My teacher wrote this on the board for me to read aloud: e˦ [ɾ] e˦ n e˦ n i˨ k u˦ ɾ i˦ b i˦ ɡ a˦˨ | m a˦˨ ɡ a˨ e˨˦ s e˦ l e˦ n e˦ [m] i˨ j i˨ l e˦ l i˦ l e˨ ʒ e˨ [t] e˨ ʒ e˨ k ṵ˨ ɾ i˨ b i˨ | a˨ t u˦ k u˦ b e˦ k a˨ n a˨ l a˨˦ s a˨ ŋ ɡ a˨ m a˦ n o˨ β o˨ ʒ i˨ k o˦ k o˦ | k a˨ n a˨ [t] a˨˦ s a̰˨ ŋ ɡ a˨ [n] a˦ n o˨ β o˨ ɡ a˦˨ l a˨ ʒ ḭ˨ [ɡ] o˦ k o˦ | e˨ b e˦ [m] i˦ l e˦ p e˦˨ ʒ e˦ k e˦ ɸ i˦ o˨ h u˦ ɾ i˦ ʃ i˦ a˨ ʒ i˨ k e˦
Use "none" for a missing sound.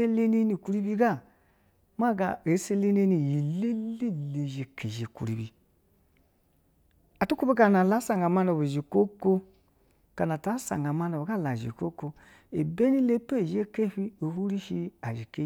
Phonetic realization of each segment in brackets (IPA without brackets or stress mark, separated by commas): l, n, k, t, m, k, n